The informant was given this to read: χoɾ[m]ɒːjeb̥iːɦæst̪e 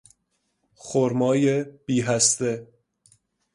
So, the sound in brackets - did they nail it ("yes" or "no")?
yes